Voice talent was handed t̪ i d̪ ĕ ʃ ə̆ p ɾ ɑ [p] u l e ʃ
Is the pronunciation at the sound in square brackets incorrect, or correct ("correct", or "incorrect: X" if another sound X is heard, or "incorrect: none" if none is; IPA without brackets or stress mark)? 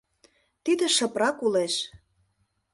incorrect: k